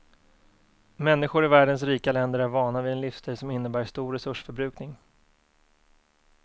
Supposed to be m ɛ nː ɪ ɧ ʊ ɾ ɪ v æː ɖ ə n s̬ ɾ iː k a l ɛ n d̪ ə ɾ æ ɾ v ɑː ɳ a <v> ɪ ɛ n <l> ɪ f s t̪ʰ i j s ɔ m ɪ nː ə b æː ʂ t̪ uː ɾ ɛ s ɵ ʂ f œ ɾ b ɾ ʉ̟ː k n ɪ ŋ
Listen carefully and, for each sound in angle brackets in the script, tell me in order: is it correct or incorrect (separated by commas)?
correct, correct